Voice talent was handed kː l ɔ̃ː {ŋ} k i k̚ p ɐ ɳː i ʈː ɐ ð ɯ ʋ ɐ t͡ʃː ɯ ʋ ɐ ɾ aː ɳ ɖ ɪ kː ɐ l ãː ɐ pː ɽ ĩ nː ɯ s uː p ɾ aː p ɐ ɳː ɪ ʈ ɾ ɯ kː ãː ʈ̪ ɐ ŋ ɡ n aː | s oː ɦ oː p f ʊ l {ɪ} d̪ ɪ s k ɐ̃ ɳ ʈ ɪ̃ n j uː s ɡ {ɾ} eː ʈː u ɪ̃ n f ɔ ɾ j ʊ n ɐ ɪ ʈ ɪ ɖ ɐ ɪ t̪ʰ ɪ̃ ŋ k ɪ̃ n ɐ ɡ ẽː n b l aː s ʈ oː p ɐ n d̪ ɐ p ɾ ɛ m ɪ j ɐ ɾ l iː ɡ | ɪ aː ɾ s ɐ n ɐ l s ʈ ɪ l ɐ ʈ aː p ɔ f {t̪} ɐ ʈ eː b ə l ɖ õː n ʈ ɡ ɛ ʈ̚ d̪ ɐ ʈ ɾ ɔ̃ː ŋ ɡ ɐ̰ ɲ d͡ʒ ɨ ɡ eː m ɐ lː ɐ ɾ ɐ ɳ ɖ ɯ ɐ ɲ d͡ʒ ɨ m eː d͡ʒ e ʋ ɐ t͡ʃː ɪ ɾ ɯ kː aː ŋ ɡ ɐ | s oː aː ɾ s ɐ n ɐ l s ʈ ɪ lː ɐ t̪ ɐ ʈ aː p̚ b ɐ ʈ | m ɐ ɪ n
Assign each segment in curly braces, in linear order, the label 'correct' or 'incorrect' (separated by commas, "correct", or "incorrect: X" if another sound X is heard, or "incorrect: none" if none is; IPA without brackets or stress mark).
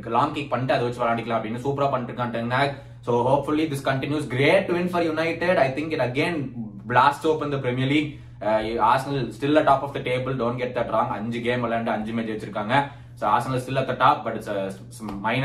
correct, incorrect: i, correct, incorrect: d̪